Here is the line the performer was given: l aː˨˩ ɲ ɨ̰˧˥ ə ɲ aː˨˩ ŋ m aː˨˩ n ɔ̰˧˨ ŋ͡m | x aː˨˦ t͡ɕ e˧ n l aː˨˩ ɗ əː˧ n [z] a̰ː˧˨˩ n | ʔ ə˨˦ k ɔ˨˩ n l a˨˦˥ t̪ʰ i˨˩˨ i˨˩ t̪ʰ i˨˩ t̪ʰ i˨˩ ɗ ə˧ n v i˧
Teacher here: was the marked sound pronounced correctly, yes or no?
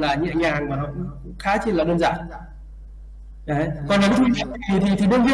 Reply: yes